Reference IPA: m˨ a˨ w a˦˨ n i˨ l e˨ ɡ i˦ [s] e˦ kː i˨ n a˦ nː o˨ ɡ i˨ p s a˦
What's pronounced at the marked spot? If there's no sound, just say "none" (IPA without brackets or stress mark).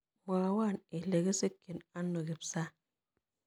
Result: s